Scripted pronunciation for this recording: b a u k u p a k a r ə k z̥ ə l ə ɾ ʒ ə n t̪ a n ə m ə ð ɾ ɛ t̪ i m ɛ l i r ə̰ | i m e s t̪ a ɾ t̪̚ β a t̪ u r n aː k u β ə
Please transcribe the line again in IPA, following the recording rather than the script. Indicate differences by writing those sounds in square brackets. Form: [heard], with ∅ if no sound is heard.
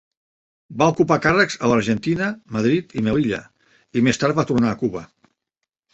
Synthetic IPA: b a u k u p a k a r ə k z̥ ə l ə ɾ ʒ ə n t̪ [i] n ə m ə ð ɾ [i] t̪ i m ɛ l i [ʎ] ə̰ | i m e s t̪ a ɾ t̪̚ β a t̪ u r n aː k u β ə